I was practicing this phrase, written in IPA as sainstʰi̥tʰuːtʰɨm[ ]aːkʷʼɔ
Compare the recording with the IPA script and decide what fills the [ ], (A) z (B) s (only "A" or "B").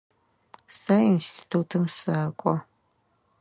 B